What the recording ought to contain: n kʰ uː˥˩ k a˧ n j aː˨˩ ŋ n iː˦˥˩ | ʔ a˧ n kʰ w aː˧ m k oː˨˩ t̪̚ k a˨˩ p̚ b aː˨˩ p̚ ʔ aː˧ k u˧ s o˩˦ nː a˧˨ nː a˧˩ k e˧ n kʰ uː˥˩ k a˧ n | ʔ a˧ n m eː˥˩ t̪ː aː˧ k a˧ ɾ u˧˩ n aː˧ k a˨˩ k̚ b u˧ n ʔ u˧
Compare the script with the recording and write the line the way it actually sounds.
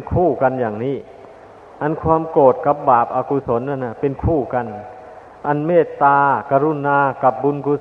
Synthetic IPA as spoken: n kʰ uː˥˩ k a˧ n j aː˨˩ ŋ n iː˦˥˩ | ʔ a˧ n kʰ w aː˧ m k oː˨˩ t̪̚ k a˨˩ p̚ b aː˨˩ p̚ ʔ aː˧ k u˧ s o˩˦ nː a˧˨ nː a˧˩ p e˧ n kʰ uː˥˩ k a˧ n | ʔ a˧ n m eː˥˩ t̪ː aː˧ k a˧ ɾ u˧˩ n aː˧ k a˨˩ p̚ b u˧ n k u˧